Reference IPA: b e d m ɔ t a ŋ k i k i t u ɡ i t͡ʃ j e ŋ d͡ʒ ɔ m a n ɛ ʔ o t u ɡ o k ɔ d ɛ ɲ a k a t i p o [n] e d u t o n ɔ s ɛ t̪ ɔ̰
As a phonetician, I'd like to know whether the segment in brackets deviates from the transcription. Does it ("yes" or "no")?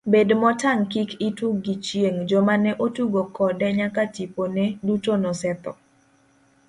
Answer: no